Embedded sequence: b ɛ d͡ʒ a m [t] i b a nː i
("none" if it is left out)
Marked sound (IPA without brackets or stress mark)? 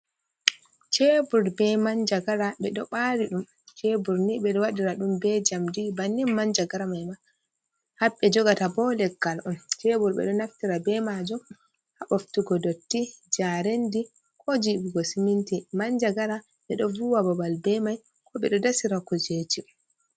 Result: d